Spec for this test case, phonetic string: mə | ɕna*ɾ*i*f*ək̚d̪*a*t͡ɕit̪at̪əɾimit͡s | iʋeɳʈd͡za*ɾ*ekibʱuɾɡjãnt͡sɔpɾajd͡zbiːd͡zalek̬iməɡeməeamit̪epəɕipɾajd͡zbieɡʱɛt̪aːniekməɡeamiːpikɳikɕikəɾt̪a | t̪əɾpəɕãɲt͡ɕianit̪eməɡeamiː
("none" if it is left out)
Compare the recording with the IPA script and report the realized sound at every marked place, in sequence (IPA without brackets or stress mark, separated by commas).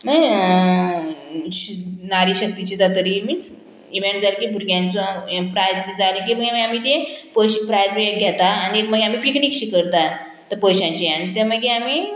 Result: ɾ, ɕ, i, l